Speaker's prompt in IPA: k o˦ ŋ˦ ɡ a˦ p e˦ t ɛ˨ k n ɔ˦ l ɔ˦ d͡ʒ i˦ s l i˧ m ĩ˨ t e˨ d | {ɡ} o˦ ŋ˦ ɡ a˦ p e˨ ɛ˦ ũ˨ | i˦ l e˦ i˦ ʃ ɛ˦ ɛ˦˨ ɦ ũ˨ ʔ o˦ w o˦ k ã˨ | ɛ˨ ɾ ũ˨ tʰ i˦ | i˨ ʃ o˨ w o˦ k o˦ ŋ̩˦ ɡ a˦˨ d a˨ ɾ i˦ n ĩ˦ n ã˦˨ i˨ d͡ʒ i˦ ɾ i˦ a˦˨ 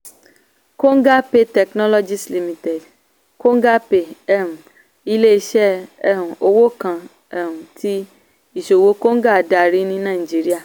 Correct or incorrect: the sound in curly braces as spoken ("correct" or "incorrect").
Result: incorrect